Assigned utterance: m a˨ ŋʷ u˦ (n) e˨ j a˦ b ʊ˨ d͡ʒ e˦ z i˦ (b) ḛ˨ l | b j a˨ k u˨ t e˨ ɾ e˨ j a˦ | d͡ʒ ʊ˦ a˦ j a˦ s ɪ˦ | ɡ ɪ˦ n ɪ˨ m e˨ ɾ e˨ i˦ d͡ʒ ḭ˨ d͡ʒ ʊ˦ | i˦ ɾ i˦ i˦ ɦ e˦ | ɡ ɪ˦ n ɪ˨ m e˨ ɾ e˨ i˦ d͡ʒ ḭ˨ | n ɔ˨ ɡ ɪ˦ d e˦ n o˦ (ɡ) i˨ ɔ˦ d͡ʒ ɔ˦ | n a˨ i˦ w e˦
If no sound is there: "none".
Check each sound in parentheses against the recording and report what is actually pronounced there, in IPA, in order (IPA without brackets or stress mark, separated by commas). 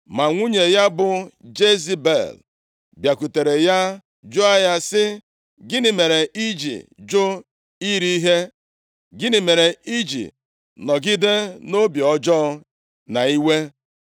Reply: ɲ, b, b